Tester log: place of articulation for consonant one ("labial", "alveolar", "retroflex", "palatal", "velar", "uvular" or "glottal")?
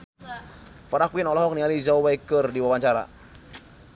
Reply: labial